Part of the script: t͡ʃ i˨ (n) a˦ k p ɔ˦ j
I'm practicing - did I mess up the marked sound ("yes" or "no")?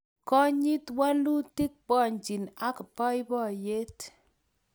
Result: no